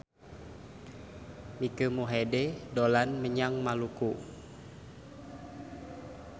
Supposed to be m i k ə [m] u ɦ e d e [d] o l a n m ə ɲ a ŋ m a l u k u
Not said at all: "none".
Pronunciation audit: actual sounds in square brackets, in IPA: m, d

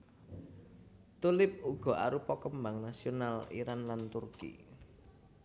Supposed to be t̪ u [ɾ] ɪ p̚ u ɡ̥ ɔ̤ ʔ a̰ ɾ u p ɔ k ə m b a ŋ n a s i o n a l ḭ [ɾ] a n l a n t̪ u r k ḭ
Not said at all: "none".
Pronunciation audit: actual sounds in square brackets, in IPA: l, ɾ

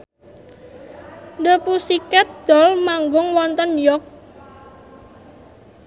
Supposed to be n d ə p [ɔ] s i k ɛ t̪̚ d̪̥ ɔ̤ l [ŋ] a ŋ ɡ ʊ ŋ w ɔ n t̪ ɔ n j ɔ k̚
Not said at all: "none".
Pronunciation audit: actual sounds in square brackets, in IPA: u, m

